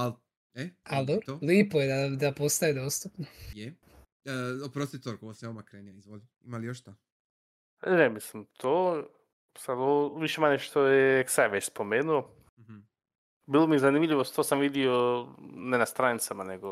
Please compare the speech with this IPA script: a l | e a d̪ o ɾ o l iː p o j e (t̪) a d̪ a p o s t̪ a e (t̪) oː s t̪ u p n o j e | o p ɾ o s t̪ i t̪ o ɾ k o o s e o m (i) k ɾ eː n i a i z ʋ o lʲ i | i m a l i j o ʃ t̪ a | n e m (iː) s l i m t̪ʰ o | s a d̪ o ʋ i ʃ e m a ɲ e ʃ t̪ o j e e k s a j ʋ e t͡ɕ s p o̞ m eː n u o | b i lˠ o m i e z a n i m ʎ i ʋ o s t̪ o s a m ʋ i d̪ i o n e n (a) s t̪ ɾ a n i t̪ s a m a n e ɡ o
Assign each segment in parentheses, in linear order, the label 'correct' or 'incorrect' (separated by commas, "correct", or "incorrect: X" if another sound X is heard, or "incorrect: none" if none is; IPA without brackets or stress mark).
incorrect: d̪, incorrect: d̪, incorrect: a, incorrect: i, correct